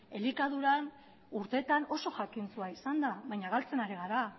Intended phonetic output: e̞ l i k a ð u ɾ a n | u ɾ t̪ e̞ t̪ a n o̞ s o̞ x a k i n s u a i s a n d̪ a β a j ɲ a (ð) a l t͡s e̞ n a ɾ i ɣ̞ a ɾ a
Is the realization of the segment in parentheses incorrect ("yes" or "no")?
yes